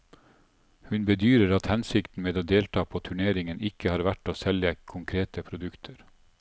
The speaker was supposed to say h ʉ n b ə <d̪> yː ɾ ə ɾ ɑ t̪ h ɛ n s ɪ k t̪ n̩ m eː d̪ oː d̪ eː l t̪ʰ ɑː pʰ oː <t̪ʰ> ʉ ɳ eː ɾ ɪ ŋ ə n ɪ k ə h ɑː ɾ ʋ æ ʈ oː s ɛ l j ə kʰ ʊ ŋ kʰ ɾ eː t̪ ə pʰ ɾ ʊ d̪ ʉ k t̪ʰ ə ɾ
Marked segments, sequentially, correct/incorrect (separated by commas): correct, correct